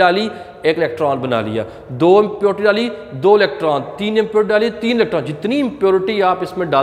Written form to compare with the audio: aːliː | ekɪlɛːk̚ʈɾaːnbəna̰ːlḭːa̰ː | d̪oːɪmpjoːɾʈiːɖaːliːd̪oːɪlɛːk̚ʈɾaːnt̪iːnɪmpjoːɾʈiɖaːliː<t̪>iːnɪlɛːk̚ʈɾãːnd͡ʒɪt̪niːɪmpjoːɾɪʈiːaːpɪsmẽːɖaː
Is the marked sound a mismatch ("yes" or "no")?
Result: no